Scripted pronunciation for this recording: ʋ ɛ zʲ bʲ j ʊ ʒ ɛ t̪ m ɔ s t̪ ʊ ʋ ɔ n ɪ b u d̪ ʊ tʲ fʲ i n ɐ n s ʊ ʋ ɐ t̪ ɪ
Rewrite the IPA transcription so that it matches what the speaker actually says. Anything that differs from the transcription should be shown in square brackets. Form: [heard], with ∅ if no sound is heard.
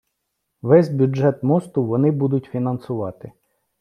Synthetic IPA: ʋ ɛ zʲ bʲ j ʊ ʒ ɛ t̪ m ɔ s t̪ ʊ ʋ ɔ n ɪ b u d̪ ʊ tʲ fʲ i n ɐ n s ʊ ʋ [ɑ] t̪ ɪ